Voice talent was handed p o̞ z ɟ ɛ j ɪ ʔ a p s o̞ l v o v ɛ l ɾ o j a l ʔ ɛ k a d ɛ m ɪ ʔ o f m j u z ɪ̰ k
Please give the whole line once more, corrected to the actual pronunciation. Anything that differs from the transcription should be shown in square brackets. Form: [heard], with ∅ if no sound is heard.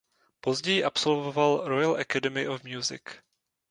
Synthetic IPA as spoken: p o̞ z ɟ ɛ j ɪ ʔ a p s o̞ l v o v [a] l ɾ o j a l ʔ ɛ k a d ɛ m ɪ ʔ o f m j u z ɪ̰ k